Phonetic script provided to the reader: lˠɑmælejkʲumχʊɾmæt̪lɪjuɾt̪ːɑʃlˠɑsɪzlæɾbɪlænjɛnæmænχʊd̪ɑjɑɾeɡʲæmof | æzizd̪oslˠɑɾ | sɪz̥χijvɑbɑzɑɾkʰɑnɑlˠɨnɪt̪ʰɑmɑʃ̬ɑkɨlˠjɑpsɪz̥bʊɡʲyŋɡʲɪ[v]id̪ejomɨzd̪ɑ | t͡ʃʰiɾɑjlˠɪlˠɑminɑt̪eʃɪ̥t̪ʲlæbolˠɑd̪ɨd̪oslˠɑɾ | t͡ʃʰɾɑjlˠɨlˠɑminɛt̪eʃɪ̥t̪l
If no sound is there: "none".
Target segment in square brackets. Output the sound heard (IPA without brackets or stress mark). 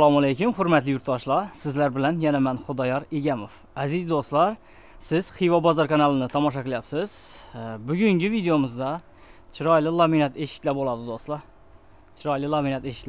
v